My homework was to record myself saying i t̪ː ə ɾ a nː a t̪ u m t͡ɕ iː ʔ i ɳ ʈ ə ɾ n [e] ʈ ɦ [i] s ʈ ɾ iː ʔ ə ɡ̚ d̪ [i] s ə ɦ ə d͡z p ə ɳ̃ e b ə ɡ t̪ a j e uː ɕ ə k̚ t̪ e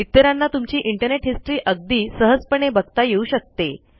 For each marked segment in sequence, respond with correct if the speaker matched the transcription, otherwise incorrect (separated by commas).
correct, correct, incorrect